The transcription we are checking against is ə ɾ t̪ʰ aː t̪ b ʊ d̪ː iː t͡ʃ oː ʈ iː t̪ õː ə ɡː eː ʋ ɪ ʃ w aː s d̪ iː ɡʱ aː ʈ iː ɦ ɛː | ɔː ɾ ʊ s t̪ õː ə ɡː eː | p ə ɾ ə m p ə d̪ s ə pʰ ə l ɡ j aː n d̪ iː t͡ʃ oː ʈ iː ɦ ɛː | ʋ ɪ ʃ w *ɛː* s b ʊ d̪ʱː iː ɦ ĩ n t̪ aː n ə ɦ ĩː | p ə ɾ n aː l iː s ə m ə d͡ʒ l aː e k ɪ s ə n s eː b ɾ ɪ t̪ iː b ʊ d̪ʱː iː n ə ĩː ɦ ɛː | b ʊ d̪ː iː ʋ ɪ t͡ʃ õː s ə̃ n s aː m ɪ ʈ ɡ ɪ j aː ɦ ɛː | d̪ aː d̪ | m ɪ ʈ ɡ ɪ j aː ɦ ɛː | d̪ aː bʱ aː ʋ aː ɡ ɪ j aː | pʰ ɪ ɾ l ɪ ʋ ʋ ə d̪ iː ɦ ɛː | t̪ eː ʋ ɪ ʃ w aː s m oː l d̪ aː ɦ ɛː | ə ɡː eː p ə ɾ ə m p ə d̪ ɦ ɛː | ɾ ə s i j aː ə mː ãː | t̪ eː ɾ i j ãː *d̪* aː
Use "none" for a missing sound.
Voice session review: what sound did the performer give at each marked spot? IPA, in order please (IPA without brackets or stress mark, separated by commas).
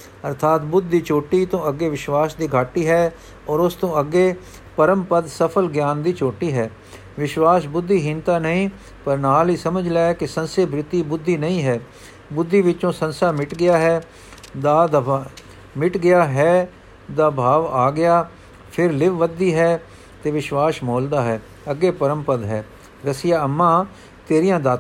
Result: aː, d̪